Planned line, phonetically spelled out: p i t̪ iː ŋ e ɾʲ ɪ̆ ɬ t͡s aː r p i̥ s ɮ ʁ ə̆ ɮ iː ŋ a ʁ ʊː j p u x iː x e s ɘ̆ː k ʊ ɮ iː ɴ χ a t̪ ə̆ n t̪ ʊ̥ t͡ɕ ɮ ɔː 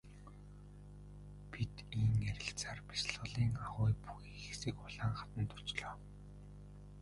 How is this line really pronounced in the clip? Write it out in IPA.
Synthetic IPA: p i t̪ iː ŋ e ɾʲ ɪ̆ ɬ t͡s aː r p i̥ s ɮ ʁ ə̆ ɮ iː ŋ a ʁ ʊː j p u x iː x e s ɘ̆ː k ʊ ɮ aː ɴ χ a t̪ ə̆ n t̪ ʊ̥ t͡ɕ ɮ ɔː